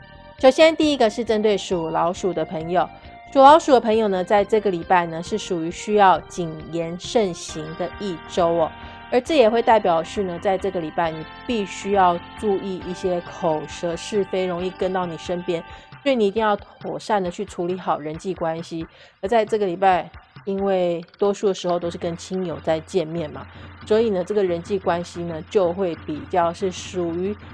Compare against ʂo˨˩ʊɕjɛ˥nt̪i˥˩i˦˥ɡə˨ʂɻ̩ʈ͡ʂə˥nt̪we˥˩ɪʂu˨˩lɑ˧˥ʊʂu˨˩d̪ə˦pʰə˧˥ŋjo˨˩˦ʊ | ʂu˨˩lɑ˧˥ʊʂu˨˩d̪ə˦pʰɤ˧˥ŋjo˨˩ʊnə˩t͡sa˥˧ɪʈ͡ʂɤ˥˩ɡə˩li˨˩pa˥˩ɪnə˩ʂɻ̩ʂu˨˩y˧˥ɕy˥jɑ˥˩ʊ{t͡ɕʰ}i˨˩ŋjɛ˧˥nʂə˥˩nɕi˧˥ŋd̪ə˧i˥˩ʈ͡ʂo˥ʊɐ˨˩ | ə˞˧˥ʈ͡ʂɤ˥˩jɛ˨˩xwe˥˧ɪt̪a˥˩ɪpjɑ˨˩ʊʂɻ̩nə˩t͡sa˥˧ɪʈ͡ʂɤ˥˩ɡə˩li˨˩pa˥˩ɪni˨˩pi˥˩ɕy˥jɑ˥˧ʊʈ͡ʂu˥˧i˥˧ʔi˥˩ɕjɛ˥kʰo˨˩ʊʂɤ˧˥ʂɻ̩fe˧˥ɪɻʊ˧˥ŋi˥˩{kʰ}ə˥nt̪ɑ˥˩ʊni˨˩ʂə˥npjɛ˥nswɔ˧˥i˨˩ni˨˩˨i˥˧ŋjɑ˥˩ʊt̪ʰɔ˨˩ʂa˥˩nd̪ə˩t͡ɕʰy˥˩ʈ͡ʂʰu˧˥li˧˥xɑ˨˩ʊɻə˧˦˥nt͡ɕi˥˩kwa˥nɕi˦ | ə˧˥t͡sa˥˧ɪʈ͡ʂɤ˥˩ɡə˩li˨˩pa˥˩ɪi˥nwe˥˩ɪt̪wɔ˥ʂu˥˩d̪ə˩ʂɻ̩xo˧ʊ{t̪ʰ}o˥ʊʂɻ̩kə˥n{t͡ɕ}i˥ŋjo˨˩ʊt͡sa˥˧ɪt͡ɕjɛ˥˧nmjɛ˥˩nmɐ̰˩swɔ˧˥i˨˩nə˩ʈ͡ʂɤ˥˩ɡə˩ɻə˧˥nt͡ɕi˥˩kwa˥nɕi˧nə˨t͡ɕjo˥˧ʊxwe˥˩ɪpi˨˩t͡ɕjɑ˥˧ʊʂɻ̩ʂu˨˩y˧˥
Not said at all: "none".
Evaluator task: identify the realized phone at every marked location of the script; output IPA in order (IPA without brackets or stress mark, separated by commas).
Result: t͡ɕ, k, t̪, t͡ɕʰ